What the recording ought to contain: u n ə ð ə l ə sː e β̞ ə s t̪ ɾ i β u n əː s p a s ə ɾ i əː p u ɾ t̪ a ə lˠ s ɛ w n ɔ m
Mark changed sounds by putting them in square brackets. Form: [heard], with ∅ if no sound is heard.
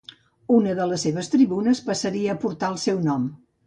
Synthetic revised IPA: u n ə ð ə l ə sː e β̞ ə s t̪ ɾ i β u n [ə] s p [ə] s ə ɾ i əː p u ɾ t̪ a ə lˠ s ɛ w n ɔ m